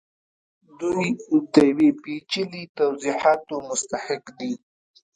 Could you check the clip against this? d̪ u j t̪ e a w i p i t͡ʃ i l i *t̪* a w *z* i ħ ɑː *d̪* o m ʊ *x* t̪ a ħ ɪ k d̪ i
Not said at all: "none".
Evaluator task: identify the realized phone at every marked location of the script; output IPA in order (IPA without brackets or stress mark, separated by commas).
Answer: t̪, z, t̪, s